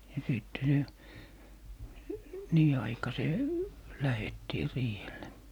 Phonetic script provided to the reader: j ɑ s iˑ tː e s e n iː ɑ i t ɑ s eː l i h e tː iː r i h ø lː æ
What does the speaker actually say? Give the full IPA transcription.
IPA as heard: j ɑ s iˑ tː e s e n iː ɑ i k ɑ s eː l æ h e tː iː r iː h e lː e